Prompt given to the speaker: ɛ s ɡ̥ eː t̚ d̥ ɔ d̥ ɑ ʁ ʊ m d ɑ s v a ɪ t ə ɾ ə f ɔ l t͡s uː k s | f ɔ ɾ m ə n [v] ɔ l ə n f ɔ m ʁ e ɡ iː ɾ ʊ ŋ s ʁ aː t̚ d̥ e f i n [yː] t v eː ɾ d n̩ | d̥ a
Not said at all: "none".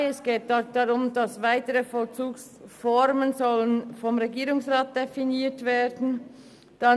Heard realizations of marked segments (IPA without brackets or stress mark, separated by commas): z, iː